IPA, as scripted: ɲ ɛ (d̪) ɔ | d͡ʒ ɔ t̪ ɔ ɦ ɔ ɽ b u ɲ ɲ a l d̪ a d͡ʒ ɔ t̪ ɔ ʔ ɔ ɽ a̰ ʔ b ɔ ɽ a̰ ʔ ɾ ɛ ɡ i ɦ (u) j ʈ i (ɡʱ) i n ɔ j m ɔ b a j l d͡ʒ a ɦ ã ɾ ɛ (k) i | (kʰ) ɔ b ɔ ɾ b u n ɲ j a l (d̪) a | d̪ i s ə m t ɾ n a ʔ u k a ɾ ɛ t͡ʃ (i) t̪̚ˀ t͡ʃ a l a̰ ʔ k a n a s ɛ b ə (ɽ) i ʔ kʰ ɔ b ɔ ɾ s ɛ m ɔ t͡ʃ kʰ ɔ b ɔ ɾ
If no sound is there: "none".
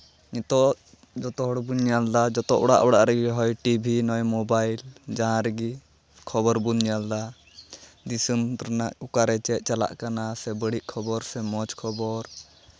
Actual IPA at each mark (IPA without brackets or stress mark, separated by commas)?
t̪, ɔ, bʱ, ɡ, kʰ, d̪, ɛ, ɽ